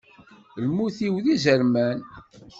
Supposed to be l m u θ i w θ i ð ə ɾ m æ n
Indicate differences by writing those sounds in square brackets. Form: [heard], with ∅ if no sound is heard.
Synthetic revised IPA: l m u θ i w [ð] i [z] ə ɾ m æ n